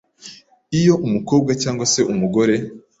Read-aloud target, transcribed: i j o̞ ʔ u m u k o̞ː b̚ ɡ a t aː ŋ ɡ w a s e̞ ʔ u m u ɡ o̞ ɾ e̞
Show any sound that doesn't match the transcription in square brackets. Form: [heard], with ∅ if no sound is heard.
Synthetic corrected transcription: i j o̞ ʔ u m u k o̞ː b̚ ɡ a [c] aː ŋ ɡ w a s e̞ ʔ u m u ɡ o̞ ɾ e̞